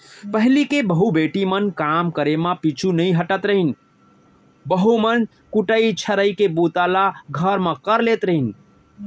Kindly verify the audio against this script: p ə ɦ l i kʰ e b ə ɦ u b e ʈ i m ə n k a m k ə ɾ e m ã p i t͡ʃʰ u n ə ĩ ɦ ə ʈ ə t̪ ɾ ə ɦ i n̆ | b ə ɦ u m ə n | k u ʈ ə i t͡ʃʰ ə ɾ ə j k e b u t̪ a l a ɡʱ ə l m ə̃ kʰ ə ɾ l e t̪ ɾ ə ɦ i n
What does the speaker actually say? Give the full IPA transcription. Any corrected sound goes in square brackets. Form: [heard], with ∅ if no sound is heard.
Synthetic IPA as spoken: p ə ɦ l i [k] e b ə ɦ u b e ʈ i m ə n k a m k ə ɾ e m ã p i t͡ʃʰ u n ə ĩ ɦ ə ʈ ə t̪ ɾ ə ɦ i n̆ | b ə ɦ u m ə n | k u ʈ ə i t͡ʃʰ ə ɾ ə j k e b u t̪ a l a ɡʱ ə [ɾ] m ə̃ [k] ə ɾ l e t̪ ɾ ə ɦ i n